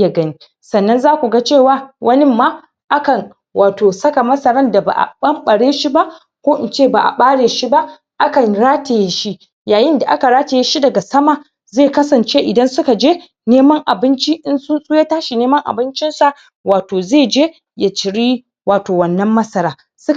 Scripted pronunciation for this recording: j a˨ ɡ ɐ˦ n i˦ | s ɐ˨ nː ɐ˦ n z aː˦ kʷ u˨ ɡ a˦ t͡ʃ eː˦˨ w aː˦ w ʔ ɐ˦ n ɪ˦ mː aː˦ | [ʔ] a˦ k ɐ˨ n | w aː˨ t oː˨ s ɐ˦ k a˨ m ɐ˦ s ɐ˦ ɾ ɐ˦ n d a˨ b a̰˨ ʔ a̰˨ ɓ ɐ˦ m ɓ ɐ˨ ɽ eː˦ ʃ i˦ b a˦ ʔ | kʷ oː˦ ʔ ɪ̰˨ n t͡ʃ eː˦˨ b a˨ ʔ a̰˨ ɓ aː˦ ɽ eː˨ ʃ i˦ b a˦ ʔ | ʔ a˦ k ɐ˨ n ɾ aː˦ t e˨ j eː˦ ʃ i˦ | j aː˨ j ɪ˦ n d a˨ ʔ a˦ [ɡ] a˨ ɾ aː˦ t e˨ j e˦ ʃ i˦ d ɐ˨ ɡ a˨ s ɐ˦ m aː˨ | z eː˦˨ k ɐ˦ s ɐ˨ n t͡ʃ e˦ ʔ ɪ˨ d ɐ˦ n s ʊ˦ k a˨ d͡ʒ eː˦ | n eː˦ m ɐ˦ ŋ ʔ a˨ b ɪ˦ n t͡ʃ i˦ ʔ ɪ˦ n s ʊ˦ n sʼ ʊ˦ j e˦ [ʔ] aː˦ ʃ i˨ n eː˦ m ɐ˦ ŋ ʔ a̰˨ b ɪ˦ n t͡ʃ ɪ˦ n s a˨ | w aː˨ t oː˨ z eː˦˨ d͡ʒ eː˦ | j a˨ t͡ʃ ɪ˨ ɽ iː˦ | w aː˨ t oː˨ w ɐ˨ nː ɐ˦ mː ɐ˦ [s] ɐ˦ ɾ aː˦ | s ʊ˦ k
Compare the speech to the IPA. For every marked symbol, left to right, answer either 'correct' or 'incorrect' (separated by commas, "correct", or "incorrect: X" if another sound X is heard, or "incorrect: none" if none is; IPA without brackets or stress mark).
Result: correct, incorrect: k, incorrect: t, correct